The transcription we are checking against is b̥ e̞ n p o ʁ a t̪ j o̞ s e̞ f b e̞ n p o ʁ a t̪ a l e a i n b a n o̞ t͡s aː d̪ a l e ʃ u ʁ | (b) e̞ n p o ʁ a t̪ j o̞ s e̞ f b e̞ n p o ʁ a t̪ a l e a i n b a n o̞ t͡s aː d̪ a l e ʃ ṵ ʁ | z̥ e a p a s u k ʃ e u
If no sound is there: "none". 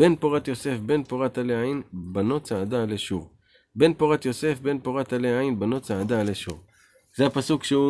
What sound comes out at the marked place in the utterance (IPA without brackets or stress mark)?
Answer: b